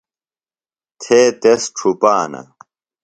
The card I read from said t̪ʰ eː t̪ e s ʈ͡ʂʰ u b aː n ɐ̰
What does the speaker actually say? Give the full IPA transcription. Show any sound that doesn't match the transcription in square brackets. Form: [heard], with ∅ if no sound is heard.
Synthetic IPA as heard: t̪ʰ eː t̪ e s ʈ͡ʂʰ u [p] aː n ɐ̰